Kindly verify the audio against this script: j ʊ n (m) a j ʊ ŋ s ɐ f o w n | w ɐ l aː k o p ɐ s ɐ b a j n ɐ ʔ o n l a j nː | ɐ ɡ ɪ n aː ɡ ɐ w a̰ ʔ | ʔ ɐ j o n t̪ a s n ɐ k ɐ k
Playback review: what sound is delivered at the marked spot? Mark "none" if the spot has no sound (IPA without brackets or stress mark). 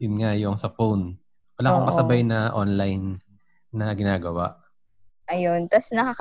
ŋ